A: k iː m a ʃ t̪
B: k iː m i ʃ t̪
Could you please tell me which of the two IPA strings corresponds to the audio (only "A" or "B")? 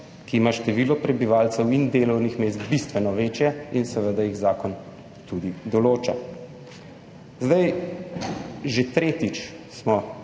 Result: A